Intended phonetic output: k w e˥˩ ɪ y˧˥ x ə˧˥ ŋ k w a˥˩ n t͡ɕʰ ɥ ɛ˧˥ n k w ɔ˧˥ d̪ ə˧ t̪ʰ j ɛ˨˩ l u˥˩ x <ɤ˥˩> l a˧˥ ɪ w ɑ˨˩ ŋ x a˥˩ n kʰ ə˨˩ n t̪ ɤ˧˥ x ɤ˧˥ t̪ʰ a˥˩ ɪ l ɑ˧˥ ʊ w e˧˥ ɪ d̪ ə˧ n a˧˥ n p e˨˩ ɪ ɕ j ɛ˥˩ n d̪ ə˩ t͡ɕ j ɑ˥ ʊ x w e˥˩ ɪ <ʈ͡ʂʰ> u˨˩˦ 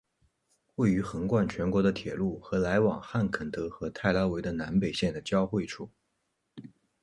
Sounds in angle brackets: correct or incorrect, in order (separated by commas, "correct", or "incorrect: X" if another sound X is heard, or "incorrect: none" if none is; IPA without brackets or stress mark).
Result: incorrect: ɤ˧˥, correct